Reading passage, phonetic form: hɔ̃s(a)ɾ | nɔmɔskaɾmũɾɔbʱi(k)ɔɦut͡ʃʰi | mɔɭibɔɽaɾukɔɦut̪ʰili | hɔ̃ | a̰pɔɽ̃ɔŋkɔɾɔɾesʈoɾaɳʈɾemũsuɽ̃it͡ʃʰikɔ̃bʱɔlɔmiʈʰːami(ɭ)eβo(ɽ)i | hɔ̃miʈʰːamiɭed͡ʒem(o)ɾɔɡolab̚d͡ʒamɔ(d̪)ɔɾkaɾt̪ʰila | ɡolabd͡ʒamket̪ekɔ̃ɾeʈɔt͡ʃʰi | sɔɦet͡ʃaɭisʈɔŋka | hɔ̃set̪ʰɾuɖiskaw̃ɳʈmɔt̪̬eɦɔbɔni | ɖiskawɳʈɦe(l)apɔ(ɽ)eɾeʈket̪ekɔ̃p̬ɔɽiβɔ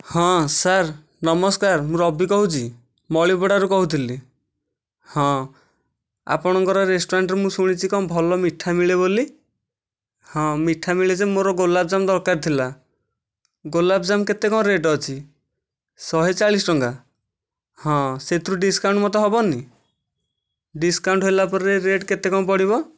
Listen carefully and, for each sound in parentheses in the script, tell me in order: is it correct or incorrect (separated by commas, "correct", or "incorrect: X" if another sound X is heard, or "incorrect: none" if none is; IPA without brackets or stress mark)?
correct, correct, correct, incorrect: l, correct, correct, correct, incorrect: ɾ